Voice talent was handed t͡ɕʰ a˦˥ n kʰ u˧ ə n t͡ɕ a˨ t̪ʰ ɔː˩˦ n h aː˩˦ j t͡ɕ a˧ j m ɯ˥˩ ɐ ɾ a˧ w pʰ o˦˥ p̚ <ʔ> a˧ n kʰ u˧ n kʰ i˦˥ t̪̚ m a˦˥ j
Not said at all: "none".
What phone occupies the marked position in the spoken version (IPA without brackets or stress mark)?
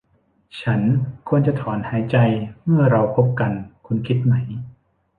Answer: k